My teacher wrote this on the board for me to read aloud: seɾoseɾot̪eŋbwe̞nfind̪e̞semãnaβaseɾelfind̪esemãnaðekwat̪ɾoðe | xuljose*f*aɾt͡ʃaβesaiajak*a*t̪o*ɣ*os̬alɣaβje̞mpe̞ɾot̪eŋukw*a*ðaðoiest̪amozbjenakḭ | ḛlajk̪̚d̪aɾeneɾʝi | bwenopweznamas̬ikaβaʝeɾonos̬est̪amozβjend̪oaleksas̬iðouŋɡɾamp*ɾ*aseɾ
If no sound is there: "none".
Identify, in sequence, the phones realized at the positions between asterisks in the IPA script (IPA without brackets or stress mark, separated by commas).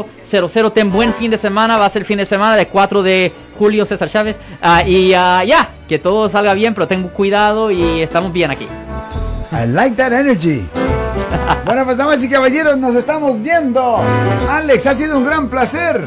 s, e, ð, i, l